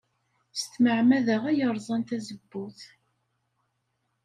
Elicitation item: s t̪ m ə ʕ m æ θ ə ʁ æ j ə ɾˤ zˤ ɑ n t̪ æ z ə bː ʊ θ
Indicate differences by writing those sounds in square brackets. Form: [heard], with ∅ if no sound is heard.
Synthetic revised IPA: s t̪ m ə ʕ m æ [ð] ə ʁ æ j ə ɾˤ zˤ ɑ n t̪ æ z ə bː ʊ θ